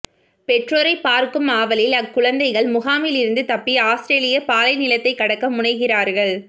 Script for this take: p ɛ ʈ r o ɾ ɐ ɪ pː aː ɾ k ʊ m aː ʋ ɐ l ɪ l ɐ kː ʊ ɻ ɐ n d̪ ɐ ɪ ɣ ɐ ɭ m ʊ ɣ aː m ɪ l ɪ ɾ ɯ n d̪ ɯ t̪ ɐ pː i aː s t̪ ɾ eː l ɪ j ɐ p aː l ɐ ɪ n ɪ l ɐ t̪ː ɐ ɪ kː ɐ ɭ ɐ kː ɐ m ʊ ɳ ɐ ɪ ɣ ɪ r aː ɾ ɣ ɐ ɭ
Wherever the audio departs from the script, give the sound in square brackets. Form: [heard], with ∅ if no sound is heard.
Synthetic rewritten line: p ɛ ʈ r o ɾ ɐ ɪ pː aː ɾ k [ɯ] m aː ʋ ɐ l ɪ l ɐ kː ʊ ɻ ɐ n d̪ ɐ ɪ ɣ ɐ ɭ m ʊ ɣ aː m ɪ l ɪ ɾ ɯ n d̪ ɯ t̪ ɐ pː i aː s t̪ ɾ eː l ɪ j ɐ p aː l ɐ ɪ n ɪ l ɐ t̪ː ɐ ɪ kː ɐ [ɽ] ɐ kː ɐ m ʊ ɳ ɐ ɪ ɣ ɪ r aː ɾ ɣ ɐ ɭ